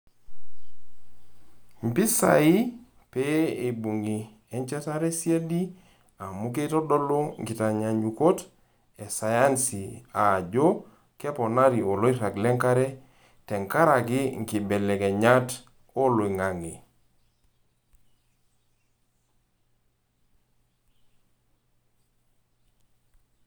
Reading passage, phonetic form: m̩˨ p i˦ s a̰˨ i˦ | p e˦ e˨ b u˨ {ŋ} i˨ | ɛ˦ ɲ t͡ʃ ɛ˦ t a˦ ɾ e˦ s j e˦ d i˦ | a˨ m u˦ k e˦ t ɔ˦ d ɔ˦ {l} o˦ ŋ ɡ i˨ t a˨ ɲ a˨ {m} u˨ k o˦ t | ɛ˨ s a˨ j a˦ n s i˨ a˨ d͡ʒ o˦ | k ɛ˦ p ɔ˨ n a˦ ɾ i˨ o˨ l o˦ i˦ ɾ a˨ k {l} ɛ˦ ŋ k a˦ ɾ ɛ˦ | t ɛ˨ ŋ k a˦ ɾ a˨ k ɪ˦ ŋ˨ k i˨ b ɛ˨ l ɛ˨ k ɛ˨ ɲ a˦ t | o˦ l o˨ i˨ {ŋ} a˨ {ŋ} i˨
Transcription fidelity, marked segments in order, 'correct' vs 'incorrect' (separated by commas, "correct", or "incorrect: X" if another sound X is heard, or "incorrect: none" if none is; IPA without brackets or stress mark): correct, correct, incorrect: ɲ, correct, correct, correct